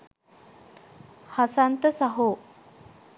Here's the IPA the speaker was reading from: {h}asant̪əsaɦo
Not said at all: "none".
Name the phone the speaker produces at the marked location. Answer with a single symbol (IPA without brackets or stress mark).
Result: h